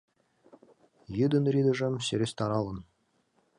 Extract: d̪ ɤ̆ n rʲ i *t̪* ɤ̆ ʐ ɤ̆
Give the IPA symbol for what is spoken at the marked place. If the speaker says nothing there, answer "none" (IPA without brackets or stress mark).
d̪